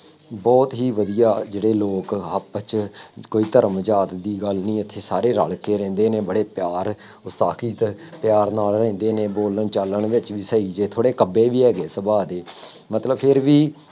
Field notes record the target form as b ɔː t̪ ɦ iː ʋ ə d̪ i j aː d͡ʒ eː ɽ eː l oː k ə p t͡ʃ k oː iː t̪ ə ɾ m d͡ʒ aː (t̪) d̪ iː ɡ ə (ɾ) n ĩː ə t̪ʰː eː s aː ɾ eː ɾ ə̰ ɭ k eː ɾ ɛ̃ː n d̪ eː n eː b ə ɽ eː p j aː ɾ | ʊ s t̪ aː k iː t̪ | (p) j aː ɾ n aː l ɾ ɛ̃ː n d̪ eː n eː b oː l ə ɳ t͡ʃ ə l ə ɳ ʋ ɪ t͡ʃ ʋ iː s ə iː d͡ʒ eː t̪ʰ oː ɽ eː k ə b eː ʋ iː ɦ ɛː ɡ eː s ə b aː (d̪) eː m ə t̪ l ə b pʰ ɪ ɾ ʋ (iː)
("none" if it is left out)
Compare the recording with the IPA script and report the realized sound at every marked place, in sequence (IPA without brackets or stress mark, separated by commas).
t̪, l, p, d̪, iː